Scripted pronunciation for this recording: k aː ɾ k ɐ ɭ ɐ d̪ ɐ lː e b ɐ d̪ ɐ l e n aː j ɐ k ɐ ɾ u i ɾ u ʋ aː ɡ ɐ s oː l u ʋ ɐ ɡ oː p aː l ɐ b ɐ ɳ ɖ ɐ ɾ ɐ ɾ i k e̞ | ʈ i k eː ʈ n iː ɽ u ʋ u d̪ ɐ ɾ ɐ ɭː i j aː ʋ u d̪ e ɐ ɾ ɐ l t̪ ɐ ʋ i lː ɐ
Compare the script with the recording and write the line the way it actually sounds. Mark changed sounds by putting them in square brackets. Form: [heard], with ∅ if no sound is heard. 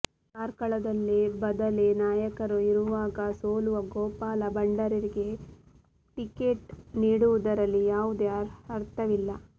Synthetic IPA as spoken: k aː ɾ k ɐ ɭ ɐ d̪ ɐ lː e b ɐ d̪ ɐ l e n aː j ɐ k ɐ ɾ u i ɾ u ʋ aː ɡ ɐ s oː l u ʋ ɐ ɡ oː p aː l ɐ b ɐ ɳ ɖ ɐ ɾ ɐ ɾ i [ɡ] e̞ | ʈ i k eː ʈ n iː ɽ u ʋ u d̪ ɐ ɾ ɐ [lː] i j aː ʋ u d̪ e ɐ ɾ ɐ [ɾ] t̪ ɐ ʋ i lː ɐ